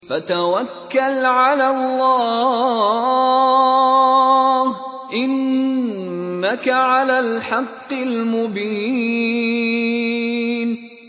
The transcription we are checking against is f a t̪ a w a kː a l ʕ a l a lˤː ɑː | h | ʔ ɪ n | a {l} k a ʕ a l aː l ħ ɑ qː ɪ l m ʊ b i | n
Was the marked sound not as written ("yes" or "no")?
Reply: yes